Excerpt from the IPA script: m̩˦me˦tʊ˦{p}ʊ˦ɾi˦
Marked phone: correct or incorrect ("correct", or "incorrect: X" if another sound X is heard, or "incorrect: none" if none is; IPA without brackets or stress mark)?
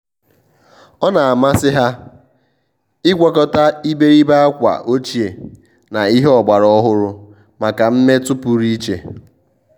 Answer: correct